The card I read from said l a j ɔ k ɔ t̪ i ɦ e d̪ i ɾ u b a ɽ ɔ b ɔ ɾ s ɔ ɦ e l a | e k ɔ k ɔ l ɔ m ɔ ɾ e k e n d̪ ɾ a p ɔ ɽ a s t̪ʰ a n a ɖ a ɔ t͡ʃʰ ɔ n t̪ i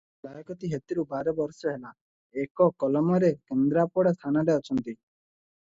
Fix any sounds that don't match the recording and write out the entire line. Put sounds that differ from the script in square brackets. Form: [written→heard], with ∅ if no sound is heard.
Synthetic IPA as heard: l a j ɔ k ɔ t̪ i ɦ e [d̪→t̪] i ɾ u b a [ɽ→ɾ] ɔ b ɔ ɾ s ɔ ɦ e l a | e k ɔ k ɔ l ɔ m ɔ ɾ e k e n d̪ ɾ a p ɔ ɽ a s t̪ʰ a n a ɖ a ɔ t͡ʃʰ ɔ n t̪ i